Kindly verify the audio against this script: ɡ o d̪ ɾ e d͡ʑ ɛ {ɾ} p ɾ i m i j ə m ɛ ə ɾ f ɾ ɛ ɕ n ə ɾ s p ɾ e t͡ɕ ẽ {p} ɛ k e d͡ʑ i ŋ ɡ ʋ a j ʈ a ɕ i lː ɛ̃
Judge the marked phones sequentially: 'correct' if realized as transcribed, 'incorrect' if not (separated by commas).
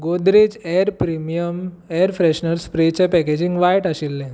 correct, correct